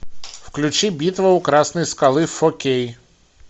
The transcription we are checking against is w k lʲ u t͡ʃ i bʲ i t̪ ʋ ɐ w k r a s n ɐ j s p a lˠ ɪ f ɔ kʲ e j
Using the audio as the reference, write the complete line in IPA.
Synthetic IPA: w k lʲ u t͡ʃ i bʲ i t̪ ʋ ɐ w k ɾ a s n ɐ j s k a lˠ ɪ f ɔ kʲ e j